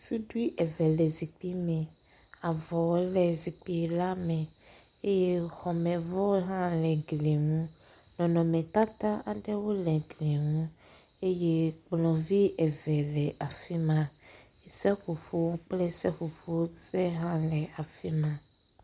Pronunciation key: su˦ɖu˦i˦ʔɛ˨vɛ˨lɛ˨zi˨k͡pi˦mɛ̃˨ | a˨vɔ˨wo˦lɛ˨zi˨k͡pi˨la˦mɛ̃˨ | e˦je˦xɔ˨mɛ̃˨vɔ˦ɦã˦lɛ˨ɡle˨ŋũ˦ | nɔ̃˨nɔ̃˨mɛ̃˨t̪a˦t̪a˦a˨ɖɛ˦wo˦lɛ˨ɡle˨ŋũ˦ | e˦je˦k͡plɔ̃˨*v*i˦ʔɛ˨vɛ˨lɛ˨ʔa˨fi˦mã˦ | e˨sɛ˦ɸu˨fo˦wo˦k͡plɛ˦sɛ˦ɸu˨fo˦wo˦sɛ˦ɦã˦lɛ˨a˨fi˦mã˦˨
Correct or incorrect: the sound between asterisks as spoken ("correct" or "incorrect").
correct